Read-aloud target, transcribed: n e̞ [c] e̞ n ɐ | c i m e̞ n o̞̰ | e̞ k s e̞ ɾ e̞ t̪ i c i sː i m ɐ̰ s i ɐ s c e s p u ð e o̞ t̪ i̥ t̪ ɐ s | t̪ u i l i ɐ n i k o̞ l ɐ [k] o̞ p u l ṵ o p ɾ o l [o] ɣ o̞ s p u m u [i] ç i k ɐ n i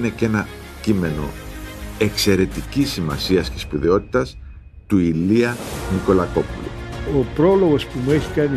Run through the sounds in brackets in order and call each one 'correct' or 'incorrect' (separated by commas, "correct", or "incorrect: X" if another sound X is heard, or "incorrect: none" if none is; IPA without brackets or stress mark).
correct, correct, correct, incorrect: e